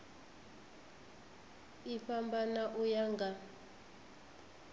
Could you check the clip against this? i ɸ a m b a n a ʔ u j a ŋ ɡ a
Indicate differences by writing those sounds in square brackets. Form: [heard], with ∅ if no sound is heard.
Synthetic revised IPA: i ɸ a m b a n a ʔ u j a ŋ ɡ a